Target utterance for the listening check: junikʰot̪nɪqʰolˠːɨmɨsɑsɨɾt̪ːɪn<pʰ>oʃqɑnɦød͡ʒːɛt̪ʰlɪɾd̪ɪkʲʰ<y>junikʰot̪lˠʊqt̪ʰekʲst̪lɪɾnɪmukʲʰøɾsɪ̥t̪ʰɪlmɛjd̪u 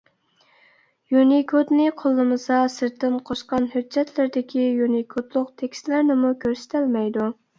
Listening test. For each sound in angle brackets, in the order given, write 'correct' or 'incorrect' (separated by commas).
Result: incorrect, incorrect